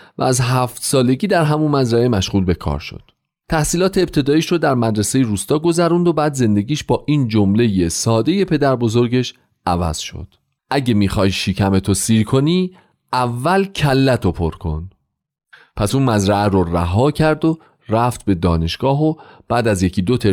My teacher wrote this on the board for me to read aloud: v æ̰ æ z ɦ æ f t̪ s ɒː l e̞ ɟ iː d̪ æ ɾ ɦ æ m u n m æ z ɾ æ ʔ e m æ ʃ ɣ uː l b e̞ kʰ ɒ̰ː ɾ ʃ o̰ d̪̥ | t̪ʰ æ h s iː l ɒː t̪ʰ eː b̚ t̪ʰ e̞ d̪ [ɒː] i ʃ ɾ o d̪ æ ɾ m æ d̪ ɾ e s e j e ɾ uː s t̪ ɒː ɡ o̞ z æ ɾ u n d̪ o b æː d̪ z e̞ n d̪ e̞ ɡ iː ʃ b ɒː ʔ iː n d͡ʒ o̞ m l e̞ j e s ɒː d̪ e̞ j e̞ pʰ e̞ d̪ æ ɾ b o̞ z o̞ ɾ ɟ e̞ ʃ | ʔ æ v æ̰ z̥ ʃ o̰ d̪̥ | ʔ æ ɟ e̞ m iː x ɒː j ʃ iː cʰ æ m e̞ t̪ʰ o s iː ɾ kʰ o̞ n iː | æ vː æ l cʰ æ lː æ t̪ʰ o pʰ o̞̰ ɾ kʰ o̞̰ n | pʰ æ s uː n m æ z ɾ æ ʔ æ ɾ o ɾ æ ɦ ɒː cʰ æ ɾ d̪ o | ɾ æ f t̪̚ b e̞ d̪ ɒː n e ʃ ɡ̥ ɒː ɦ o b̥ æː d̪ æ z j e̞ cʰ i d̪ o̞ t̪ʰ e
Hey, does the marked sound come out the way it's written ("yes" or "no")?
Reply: yes